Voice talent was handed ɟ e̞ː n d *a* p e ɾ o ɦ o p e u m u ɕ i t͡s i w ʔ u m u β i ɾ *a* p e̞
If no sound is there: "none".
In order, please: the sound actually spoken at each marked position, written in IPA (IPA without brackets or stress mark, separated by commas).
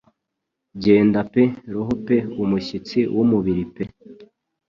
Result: a, i